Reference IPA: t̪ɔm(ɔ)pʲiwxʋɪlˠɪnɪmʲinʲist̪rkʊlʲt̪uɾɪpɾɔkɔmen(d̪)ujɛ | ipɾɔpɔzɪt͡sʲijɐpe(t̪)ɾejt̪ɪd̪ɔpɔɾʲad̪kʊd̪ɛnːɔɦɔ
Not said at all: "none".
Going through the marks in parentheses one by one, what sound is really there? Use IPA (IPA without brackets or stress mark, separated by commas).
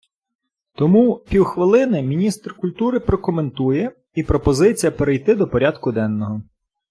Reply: u, t̪, none